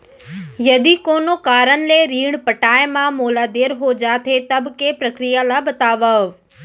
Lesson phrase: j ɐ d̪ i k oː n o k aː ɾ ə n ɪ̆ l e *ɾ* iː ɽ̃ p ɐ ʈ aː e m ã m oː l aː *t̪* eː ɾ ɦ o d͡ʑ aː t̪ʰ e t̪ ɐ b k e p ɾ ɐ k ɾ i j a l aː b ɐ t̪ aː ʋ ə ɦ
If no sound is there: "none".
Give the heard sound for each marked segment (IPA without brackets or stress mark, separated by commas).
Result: ɾ, d̪